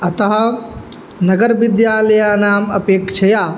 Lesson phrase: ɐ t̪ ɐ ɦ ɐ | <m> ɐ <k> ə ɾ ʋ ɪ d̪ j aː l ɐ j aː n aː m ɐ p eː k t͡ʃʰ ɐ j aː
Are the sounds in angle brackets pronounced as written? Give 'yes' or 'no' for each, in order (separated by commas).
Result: no, no